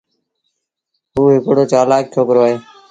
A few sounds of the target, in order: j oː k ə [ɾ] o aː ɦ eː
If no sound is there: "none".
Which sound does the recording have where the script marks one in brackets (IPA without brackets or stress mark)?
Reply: ɾ